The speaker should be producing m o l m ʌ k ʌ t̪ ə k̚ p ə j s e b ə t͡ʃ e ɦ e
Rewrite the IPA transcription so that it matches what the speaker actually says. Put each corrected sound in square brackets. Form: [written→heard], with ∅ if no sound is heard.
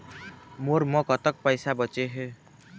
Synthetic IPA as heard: m o [l→ɾ] m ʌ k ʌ t̪ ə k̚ p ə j s [e→a] b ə t͡ʃ e ɦ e